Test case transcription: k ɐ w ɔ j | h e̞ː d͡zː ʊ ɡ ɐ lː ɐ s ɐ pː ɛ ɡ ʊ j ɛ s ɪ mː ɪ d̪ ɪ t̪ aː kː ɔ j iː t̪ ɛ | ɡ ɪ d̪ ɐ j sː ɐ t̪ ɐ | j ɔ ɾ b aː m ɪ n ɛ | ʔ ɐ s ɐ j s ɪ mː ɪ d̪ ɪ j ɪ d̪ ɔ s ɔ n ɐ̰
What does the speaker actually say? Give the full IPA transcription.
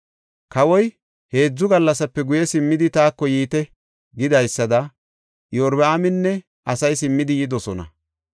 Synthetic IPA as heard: k ɐ w ɔ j | h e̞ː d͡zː ʊ ɡ ɐ lː ɐ s ɐ pː ɛ ɡ ʊ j ɛ s ɪ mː ɪ d̪ ɪ t̪ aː kː ɔ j iː t̪ ɛ | ɡ ɪ d̪ ɐ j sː ɐ d̪ ɐ | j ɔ ɾ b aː m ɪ nː ɛ | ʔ ɐ s ɐ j s ɪ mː ɪ d̪ ɪ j ɪ d̪ ɔ s ɔ n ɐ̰